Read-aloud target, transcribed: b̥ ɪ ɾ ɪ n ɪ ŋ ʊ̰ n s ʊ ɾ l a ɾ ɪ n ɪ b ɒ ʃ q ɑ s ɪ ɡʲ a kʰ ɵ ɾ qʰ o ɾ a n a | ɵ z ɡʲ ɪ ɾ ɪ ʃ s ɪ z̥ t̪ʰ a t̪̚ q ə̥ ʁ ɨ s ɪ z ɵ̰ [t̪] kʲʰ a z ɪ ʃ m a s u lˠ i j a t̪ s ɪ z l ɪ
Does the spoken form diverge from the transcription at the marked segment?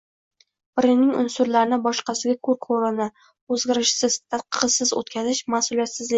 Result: no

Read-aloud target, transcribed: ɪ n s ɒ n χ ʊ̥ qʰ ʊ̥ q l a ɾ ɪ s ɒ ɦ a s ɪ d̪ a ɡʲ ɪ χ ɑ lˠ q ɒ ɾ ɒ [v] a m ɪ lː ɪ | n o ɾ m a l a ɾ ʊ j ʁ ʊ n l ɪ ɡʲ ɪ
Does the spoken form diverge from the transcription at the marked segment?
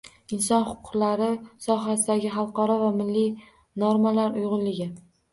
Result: no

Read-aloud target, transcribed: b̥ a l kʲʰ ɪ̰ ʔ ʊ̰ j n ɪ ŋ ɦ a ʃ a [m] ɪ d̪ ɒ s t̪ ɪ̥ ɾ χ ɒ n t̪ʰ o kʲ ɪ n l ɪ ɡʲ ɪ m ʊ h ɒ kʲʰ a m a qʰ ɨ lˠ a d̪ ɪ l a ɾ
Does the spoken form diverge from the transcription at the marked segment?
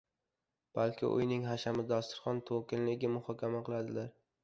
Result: no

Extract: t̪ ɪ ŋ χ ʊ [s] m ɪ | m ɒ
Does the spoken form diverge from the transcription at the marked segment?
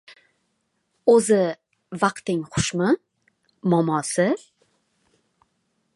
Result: yes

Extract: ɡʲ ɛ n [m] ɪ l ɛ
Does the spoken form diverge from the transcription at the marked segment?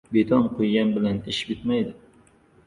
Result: yes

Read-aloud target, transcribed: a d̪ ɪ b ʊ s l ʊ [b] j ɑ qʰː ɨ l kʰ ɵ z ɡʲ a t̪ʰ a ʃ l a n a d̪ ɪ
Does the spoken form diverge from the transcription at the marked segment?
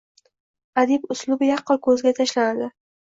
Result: no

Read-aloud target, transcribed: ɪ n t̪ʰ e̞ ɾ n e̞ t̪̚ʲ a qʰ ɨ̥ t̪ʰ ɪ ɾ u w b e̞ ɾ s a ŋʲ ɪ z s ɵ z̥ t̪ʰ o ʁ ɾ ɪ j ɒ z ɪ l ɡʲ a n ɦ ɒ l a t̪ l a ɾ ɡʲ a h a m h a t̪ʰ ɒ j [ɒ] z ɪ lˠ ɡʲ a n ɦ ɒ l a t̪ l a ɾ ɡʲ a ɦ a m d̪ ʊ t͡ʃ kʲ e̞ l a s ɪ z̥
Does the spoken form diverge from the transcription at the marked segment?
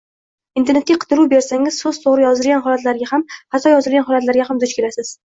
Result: no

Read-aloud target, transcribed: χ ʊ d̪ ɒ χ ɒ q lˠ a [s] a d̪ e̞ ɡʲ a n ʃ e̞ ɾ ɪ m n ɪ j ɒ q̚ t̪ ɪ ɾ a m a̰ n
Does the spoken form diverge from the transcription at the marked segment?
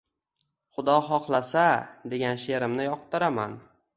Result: no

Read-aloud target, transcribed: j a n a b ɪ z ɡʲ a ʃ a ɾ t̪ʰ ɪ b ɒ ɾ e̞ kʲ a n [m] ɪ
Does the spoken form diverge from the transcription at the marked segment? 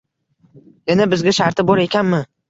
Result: no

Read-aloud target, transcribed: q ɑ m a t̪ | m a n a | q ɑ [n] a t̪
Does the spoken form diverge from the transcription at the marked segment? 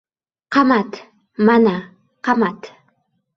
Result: yes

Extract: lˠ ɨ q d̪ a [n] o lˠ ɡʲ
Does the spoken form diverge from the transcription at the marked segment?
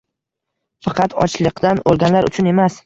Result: no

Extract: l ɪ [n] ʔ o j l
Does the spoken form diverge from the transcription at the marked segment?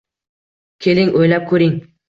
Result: yes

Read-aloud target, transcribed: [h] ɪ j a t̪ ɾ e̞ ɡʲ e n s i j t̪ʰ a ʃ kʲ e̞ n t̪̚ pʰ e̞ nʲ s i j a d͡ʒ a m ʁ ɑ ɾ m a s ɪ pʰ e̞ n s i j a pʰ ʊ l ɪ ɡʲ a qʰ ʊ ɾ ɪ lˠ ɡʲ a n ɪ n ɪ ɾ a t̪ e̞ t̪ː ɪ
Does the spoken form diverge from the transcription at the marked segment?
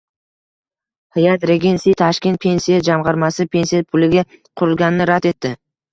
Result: no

